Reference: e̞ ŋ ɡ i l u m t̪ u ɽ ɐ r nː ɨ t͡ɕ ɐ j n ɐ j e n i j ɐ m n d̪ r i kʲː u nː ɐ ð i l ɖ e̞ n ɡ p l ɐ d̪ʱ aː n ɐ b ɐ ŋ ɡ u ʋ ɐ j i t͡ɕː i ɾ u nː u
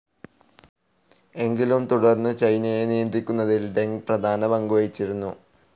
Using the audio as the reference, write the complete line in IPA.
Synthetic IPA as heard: e̞ ŋ ɡ i l u m t̪ u ɽ ɐ r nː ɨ t͡ɕ ɐ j n ɐ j e n i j ɐ n d̪ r i kʲː u nː ɐ ð i l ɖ e̞ ŋ ɡ p r ɐ d̪ʱ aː n ɐ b ɐ ŋ ɡ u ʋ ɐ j i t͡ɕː i ɾ u nː u